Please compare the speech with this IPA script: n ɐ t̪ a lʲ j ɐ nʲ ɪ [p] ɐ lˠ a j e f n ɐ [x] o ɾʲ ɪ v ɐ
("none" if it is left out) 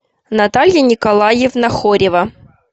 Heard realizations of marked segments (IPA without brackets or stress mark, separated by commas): k, x